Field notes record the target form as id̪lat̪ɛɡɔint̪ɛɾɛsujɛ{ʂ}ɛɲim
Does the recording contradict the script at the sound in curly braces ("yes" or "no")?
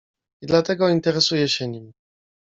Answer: yes